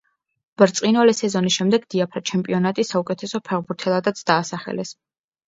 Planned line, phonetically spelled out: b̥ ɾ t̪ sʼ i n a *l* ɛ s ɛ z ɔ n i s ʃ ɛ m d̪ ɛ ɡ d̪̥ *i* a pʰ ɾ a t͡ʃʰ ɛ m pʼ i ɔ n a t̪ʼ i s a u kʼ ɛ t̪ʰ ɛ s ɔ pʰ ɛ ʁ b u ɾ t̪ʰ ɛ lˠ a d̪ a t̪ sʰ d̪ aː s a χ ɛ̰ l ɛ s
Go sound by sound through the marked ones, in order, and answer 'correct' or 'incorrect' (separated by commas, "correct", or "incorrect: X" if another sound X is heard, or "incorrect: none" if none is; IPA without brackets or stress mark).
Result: correct, correct